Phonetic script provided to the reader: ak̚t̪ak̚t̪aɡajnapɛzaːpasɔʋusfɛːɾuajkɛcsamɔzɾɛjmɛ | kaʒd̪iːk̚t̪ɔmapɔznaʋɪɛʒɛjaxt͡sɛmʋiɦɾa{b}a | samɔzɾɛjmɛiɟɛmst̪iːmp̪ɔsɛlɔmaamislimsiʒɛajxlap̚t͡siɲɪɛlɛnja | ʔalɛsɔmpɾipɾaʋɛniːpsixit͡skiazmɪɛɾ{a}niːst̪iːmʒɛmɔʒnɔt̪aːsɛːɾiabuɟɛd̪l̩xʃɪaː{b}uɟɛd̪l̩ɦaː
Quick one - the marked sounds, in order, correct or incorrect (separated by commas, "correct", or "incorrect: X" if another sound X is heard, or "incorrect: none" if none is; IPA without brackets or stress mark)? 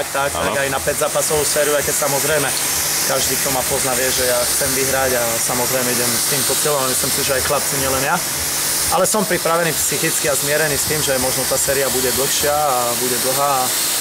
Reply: incorrect: ɟ, incorrect: ɛ, correct